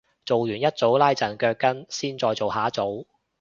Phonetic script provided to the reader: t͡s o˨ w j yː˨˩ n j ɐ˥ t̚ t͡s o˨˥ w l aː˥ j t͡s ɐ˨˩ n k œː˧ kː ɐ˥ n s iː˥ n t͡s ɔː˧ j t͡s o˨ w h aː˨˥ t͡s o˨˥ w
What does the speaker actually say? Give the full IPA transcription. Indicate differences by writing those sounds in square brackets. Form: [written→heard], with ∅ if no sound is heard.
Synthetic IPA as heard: t͡s o˨ w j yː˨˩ n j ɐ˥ t̚ t͡s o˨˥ w l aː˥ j t͡s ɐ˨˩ n k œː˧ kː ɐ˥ n s iː˥ n t͡s ɔː˧ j t͡s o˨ w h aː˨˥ t͡s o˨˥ w